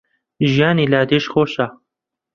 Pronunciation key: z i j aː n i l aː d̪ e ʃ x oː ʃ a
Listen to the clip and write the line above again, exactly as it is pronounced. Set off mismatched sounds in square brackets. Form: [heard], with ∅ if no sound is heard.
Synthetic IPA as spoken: [ʒ] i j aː n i l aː d̪ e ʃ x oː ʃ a